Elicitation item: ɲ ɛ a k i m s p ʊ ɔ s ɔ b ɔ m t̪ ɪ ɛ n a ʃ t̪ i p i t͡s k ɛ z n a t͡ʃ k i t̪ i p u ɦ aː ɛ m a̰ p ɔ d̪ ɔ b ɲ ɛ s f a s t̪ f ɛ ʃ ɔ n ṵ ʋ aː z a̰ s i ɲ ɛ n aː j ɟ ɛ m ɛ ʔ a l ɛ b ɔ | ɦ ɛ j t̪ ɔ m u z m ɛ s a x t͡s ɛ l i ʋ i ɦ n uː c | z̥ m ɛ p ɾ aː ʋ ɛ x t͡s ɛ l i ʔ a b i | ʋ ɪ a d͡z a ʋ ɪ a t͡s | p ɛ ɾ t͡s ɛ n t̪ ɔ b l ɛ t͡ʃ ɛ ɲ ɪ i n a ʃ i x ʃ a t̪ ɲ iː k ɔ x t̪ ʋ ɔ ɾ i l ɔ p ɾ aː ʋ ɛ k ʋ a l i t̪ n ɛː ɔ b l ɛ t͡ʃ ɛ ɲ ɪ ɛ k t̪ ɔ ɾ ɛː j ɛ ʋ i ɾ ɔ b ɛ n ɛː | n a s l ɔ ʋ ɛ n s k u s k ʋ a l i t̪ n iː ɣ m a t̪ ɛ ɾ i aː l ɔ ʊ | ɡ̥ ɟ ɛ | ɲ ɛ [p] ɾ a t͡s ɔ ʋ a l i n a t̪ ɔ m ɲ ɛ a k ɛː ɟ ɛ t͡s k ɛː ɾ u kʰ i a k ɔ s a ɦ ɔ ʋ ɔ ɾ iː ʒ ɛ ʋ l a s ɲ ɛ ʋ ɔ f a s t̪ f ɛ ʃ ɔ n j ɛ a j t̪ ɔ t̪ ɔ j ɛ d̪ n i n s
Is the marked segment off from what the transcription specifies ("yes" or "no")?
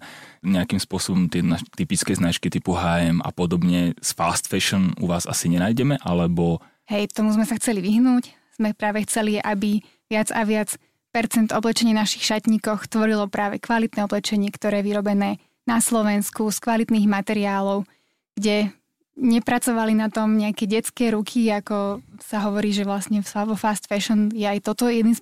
no